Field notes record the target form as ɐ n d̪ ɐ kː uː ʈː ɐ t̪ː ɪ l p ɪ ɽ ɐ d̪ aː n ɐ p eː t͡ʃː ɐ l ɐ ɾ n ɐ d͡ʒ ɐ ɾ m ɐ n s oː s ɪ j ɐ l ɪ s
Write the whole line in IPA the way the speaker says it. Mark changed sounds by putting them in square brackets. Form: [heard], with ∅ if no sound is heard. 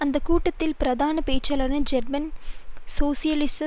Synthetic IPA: ɐ n d̪ ɐ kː uː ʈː ɐ t̪ː ɪ l p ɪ [ɾ] ɐ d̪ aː n ɐ p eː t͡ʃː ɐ l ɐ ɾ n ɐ d͡ʒ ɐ ɾ m ɐ n s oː s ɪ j ɐ l ɪ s